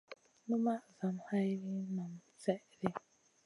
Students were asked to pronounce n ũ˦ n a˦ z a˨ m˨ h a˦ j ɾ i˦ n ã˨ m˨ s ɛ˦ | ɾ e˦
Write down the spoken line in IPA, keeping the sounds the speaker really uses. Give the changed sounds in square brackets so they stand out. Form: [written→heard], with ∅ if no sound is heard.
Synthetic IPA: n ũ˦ [n→m] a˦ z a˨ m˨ h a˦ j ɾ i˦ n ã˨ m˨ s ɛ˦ | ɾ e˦